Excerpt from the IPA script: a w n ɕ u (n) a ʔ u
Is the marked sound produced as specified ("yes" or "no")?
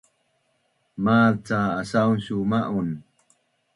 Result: no